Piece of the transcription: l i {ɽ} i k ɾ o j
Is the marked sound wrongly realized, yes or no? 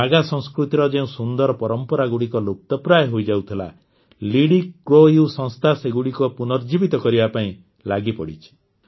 no